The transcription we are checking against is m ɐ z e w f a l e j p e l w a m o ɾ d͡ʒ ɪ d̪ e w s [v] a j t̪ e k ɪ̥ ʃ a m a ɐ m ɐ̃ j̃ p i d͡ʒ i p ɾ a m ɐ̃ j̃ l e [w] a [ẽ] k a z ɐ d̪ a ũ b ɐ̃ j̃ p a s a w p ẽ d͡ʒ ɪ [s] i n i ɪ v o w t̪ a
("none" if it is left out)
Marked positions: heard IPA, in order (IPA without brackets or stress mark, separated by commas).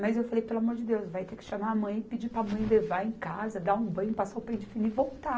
v, v, ẽ, f